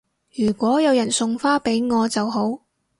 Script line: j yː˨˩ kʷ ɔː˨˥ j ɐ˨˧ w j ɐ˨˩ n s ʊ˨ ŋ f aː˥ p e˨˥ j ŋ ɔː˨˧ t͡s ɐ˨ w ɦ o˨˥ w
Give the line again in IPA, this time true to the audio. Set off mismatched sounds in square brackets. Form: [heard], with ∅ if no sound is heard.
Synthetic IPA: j yː˨˩ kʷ ɔː˨˥ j ɐ˨˧ w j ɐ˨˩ n s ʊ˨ ŋ f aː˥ p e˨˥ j ŋ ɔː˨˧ t͡s ɐ˨ w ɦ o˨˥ w